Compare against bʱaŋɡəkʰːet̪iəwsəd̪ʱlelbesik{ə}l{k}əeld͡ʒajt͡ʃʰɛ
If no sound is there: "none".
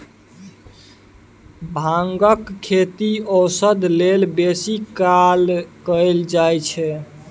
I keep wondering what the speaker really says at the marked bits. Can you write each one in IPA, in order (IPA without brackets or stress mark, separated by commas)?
a, k